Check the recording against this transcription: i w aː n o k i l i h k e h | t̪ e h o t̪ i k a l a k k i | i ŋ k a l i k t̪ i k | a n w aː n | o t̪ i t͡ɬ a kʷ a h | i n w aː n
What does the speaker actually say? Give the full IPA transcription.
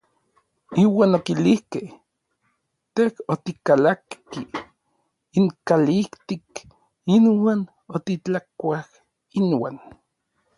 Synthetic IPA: i w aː n o k i l i h k e h | t̪ e h o t̪ i k a l a k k i | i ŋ k a l i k t̪ i k | i n w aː n | o t̪ i t͡ɬ a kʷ a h | i n w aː n